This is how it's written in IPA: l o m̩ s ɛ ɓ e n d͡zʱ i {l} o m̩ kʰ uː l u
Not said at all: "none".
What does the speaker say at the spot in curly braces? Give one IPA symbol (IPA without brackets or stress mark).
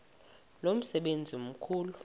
none